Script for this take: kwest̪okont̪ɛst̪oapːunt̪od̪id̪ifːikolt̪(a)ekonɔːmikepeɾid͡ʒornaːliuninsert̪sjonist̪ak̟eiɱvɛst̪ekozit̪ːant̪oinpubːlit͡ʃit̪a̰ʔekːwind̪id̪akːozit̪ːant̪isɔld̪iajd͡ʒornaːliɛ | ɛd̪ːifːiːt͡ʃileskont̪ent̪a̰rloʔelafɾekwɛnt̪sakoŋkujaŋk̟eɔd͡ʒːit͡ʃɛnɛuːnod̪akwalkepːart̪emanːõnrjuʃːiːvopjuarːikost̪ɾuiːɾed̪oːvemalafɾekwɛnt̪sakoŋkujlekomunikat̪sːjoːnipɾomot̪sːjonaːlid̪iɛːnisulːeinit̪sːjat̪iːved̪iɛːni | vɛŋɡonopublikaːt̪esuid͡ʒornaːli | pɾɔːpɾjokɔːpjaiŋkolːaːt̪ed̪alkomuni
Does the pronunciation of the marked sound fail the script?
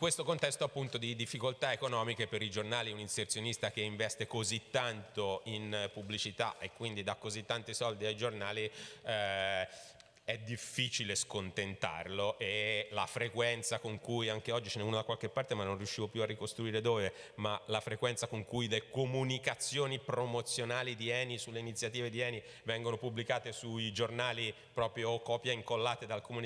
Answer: no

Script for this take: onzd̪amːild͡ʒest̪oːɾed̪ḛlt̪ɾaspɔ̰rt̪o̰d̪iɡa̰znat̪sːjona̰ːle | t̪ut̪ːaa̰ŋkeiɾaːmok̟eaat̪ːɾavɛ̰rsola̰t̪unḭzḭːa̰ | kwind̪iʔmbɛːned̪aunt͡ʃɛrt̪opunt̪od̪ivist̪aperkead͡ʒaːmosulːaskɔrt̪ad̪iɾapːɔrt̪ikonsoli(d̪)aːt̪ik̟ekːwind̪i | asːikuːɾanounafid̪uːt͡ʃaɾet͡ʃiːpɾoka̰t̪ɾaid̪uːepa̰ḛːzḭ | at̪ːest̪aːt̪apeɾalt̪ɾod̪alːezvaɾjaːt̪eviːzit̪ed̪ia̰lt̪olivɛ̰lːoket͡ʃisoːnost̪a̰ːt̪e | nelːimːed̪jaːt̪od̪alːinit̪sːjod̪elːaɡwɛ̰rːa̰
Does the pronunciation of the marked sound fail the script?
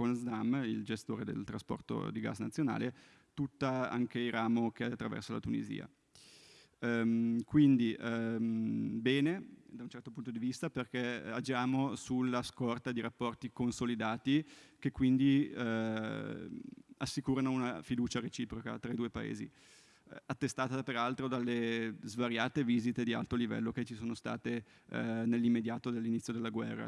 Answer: no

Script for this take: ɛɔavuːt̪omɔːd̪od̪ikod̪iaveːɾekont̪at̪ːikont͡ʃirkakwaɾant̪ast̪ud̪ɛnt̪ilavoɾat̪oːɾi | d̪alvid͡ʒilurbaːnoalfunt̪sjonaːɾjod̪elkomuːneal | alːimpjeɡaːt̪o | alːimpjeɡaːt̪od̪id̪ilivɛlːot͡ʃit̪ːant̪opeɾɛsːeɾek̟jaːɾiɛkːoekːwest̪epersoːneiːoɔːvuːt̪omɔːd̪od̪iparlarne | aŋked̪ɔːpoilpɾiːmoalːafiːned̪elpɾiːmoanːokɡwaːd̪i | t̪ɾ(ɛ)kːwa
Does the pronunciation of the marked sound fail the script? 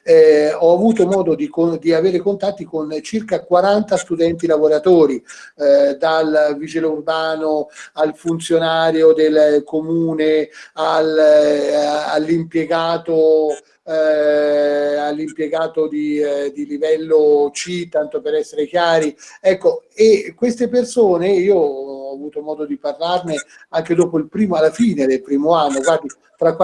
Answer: yes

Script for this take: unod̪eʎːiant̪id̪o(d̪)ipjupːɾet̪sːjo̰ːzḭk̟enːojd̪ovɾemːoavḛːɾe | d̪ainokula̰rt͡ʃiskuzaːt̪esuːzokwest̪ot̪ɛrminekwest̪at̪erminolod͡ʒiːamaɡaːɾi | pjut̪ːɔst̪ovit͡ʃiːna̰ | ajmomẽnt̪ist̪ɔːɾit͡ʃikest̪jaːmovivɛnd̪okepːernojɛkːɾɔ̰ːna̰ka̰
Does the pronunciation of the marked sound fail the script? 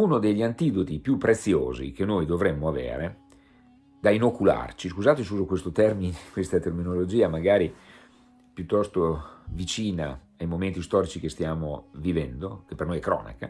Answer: yes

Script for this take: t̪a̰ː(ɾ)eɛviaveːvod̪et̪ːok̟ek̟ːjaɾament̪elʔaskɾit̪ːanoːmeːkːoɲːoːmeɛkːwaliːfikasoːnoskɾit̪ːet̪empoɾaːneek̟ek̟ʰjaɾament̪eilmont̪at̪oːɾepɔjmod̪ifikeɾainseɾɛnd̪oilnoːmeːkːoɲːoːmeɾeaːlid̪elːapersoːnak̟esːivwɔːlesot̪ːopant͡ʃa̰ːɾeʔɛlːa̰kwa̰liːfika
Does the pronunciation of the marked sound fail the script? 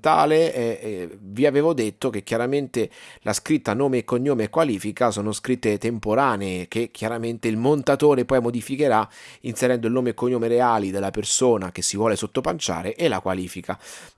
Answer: yes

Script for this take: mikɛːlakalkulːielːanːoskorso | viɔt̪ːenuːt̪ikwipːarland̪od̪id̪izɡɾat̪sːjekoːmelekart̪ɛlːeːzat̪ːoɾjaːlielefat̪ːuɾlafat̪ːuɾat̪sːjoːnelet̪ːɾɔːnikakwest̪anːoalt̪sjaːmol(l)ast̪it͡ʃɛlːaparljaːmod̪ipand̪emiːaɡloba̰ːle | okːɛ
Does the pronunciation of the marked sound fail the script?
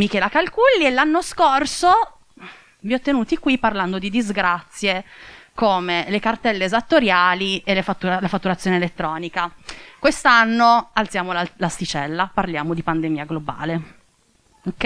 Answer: no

